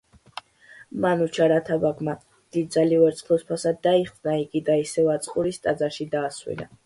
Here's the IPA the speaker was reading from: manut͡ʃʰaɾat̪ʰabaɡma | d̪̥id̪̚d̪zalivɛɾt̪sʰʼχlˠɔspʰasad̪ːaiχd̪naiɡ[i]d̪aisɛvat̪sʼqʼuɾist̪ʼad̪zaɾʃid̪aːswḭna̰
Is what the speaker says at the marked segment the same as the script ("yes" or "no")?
yes